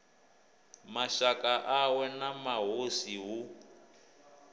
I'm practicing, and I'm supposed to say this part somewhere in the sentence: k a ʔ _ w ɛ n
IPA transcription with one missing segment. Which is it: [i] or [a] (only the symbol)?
a